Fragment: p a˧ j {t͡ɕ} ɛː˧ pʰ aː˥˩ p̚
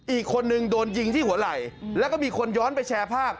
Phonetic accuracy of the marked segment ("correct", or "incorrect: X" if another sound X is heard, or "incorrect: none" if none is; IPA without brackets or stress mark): incorrect: t͡ɕʰ